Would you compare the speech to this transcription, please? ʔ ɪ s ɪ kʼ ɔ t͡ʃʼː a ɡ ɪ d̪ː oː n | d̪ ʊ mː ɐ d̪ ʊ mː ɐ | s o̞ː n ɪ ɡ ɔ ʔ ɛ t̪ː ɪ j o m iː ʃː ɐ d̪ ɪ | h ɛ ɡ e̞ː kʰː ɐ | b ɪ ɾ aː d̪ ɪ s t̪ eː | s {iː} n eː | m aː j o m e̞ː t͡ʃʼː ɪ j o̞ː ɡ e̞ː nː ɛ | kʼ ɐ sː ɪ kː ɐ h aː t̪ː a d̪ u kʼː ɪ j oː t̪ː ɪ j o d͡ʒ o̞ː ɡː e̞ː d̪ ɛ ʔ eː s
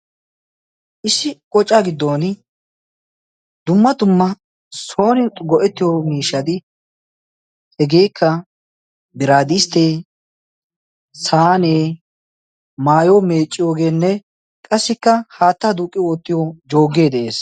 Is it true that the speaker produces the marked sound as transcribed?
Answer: no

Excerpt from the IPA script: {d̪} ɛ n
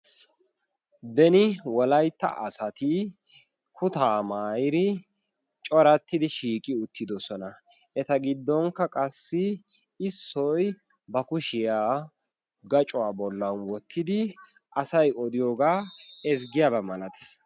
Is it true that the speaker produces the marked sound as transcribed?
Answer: yes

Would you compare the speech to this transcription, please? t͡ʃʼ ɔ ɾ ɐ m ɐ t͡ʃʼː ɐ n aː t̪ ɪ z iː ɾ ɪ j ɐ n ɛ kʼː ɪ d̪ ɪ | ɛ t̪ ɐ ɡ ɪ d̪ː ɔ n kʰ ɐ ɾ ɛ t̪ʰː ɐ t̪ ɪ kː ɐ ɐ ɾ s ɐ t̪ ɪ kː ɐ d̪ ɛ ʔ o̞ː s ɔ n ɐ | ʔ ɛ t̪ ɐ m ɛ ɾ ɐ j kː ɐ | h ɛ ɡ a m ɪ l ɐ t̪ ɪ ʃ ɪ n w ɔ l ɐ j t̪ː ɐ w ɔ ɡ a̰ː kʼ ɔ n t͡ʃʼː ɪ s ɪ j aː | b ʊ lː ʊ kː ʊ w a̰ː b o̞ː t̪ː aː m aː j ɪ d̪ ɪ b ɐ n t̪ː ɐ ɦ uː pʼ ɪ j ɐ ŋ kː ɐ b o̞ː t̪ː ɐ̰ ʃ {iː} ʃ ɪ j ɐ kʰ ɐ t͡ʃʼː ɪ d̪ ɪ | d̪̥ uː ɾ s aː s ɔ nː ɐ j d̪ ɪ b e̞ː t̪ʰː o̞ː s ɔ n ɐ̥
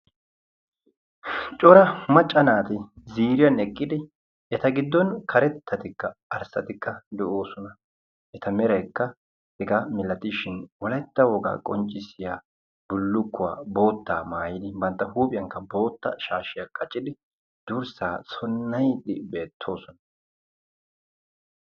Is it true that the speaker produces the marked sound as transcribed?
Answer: no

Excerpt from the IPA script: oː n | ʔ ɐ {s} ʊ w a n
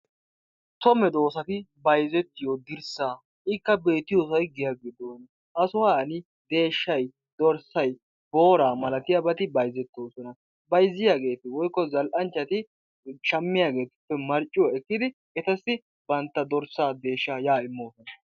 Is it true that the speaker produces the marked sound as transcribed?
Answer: yes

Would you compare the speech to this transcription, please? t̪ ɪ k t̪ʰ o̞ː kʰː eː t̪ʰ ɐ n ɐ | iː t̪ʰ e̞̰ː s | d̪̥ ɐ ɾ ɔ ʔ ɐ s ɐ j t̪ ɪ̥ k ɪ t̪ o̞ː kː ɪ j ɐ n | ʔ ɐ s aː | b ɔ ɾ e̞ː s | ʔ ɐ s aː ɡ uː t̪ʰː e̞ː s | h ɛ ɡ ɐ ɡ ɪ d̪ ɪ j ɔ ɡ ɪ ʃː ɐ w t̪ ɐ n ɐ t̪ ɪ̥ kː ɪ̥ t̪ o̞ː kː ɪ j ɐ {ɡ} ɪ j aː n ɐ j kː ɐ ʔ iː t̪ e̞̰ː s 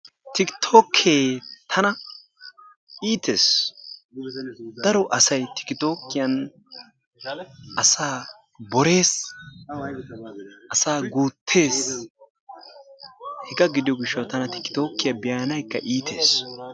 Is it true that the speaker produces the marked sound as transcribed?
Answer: no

